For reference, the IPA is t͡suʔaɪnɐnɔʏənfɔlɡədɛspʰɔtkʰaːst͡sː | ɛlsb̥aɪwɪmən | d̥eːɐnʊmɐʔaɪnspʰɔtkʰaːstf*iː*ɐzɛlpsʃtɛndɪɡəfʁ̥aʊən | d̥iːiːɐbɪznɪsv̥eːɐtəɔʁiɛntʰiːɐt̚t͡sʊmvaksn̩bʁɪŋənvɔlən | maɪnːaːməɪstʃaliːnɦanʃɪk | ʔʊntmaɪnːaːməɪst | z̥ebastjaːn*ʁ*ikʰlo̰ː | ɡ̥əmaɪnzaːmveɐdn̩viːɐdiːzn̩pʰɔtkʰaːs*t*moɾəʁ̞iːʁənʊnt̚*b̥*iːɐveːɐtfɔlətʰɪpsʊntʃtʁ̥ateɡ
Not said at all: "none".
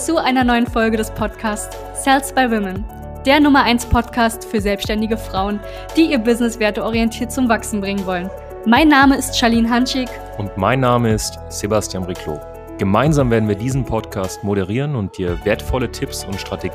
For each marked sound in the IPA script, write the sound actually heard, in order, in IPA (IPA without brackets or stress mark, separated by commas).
yː, ʁ, t, d̥